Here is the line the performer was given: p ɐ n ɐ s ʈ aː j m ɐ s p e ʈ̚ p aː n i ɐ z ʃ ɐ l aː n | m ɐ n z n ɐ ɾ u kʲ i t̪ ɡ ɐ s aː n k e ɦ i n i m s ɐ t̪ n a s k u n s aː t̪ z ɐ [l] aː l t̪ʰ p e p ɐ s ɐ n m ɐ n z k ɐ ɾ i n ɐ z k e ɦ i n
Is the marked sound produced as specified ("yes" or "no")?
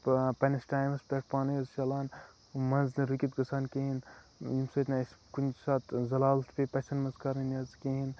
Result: yes